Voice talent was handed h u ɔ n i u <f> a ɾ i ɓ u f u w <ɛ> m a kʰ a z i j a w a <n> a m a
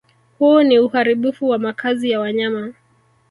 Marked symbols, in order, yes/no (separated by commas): no, no, no